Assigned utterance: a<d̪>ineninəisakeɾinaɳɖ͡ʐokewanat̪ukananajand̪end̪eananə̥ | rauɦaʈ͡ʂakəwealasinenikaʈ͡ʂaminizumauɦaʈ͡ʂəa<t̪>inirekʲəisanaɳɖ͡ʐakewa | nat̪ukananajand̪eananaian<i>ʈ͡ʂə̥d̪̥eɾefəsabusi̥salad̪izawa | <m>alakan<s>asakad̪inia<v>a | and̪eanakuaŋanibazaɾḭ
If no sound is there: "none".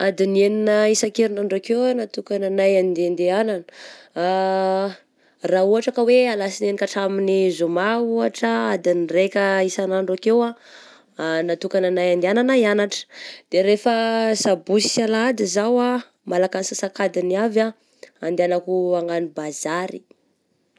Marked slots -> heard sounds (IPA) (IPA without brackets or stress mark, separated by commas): d̪, d̪, a, m, s, v